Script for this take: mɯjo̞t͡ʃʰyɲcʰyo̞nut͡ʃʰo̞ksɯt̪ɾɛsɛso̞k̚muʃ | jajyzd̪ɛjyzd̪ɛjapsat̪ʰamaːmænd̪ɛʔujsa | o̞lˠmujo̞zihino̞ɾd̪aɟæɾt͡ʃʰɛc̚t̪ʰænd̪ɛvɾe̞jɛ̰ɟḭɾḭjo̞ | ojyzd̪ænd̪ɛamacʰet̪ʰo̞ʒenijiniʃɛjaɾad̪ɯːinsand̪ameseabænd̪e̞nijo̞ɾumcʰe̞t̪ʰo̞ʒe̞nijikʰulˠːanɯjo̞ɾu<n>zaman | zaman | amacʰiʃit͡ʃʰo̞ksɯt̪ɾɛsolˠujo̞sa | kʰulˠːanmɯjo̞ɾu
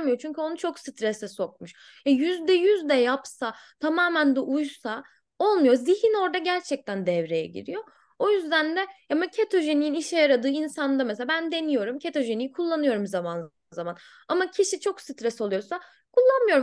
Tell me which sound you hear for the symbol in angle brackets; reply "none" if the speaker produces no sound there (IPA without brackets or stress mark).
m